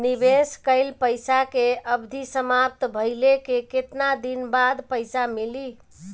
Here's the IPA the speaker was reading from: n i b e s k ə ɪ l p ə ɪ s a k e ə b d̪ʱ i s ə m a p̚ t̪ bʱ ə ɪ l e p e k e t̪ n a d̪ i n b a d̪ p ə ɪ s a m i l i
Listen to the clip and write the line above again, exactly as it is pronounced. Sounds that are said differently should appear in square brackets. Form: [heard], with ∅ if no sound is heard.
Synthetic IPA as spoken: n i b e s k ə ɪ l p ə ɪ s a k e ə b d̪ʱ i s ə m a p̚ t̪ bʱ ə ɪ l e [k] e k e t̪ n a d̪ i n b a d̪ p ə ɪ s a m i l i